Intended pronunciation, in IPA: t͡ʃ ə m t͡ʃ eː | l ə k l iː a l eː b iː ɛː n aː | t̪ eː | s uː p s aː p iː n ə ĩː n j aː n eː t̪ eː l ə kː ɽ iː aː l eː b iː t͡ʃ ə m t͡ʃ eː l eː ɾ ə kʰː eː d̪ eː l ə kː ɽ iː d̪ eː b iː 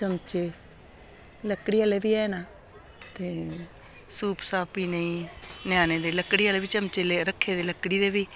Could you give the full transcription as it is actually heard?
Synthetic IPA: t͡ʃ ə m t͡ʃ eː | l ə k ɽ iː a l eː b iː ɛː n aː | t̪ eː | s uː p s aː p iː n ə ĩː n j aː n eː d̪ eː l ə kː ɽ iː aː l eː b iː t͡ʃ ə m t͡ʃ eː l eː ɾ ə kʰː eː d̪ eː l ə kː ɽ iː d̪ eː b iː